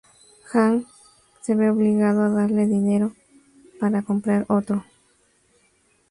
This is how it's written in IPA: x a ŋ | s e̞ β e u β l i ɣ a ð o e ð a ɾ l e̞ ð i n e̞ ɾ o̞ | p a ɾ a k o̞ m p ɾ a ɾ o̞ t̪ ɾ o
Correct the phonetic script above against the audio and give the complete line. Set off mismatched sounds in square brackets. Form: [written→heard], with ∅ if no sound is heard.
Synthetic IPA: x a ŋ | s e̞ β e [u→o] β l i ɣ a ð o [e→a] ð a ɾ l e̞ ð i n e̞ ɾ o̞ | p a ɾ a k o̞ m p ɾ a ɾ o̞ t̪ ɾ o